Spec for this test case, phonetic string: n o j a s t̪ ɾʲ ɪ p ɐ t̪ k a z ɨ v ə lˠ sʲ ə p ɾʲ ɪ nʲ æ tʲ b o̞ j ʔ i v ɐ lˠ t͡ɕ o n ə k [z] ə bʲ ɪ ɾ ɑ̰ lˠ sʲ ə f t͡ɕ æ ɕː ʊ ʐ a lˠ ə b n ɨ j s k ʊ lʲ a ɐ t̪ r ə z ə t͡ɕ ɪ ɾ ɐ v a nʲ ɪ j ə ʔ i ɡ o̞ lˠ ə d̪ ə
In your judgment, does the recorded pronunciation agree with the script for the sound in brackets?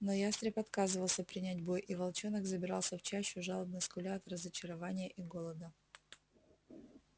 yes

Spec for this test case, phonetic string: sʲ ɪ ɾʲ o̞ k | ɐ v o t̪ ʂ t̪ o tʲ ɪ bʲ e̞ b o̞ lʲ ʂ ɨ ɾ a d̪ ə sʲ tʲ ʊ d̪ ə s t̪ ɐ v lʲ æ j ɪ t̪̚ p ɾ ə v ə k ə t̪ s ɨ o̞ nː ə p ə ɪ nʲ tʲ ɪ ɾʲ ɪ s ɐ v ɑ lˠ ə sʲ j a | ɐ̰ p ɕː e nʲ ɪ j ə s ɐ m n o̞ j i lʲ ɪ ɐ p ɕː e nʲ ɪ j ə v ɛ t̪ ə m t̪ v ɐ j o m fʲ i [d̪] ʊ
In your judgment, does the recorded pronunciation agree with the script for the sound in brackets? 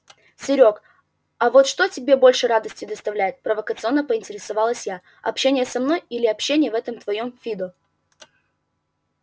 yes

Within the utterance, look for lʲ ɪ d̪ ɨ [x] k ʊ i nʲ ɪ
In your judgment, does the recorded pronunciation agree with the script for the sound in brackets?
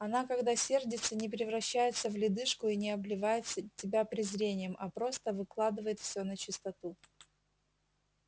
no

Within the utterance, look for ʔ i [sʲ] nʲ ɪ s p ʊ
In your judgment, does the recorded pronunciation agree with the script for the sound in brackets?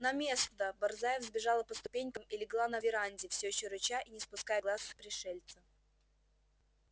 no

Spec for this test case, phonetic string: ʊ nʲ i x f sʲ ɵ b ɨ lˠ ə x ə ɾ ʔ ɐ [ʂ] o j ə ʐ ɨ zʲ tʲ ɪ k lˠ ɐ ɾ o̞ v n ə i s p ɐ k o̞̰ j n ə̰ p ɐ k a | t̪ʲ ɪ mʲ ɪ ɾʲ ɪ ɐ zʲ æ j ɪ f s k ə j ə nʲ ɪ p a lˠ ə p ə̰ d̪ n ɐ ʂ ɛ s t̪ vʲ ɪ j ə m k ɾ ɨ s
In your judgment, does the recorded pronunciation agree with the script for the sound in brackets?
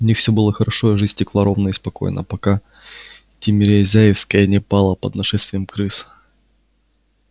yes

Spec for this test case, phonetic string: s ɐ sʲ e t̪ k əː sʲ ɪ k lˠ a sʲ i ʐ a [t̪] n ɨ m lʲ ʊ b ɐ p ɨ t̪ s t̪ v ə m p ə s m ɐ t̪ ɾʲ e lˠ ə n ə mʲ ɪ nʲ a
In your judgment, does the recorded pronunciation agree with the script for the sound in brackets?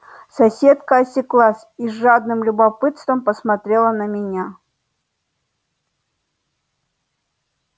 no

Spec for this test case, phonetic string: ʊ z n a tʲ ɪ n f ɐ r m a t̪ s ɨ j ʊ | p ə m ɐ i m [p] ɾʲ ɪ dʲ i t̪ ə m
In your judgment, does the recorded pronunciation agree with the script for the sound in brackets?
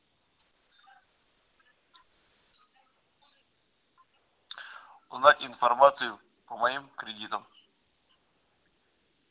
no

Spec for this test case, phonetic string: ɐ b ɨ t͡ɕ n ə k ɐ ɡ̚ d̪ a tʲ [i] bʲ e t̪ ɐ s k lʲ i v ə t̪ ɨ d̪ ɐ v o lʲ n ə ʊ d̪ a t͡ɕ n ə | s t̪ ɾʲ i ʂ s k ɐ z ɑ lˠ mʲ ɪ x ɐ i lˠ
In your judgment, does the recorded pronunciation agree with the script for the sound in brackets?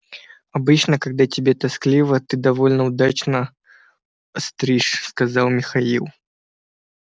no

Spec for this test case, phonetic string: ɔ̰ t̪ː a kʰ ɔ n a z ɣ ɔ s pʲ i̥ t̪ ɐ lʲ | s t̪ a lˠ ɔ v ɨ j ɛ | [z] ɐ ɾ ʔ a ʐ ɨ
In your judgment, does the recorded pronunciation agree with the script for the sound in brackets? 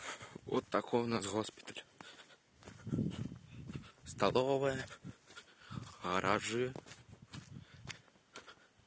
no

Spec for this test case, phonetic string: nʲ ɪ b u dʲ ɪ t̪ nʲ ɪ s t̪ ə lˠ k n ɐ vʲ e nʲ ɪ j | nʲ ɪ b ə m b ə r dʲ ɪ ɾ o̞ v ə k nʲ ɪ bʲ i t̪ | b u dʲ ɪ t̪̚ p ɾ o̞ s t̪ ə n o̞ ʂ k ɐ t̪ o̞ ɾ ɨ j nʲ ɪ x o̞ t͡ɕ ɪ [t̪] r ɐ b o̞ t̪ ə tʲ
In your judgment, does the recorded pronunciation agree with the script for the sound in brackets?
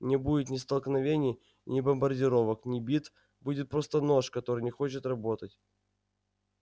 yes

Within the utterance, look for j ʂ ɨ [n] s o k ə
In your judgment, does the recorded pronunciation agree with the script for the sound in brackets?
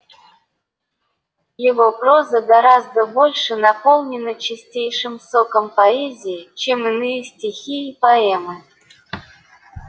no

